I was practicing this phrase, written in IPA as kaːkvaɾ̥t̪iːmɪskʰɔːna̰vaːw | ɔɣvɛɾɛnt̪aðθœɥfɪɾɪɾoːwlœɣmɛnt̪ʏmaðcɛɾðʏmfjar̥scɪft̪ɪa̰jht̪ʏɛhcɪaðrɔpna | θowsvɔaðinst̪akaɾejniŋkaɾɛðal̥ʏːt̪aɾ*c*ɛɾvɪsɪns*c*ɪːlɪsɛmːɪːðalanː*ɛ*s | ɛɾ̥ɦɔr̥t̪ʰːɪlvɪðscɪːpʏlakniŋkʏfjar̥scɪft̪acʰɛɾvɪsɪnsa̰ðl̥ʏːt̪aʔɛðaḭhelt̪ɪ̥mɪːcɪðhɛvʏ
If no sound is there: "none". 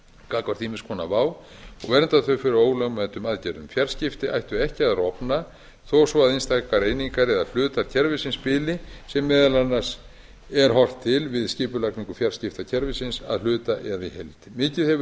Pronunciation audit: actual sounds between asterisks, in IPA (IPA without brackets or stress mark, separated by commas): cʰ, p, a